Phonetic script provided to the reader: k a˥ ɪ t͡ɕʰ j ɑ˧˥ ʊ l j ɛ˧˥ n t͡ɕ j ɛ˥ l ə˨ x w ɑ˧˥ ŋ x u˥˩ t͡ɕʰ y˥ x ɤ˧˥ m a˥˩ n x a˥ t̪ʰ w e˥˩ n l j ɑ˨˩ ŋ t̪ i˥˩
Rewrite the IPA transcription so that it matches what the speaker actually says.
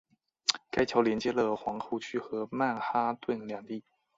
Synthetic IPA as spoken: k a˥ ɪ t͡ɕʰ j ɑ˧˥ ʊ l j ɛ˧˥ n t͡ɕ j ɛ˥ l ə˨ x w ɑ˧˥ ŋ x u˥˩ t͡ɕʰ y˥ x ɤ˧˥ m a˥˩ n x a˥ t̪ w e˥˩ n l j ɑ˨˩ ŋ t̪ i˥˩